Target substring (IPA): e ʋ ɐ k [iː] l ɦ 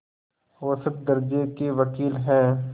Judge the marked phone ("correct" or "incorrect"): correct